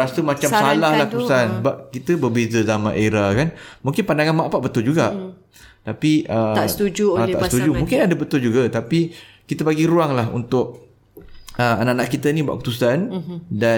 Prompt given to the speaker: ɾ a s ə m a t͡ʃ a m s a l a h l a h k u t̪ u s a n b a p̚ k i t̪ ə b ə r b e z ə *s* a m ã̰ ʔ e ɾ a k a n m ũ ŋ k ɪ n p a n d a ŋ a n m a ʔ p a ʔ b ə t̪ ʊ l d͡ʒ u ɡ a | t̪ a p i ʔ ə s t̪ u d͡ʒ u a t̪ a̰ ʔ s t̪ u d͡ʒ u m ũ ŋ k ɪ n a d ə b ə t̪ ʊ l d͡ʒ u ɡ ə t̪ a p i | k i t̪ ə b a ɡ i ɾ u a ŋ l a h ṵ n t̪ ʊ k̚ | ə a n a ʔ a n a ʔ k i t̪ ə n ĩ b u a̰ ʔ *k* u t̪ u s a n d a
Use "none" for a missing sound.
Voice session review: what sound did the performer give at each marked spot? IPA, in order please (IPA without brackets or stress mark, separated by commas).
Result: z, k